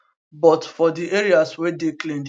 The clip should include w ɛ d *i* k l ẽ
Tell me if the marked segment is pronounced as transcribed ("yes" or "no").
no